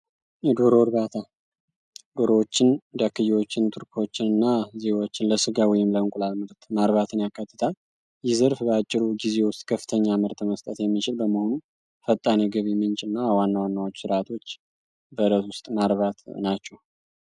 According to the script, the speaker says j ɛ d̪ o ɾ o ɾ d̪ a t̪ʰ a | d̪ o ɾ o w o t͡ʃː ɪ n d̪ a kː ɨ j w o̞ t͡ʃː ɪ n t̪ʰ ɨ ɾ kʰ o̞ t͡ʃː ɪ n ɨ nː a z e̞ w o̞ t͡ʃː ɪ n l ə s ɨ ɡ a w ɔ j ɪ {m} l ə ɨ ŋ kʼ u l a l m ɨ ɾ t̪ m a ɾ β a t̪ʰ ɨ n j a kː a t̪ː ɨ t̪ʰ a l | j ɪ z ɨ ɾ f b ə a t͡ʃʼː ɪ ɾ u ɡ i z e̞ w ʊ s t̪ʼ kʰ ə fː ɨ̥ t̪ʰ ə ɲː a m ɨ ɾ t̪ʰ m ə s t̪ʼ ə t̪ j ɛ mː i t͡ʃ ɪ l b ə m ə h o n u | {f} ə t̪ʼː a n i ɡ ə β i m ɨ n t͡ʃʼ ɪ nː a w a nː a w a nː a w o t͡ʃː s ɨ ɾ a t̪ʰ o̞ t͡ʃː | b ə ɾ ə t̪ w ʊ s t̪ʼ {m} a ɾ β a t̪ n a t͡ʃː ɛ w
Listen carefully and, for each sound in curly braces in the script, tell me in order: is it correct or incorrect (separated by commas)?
correct, correct, correct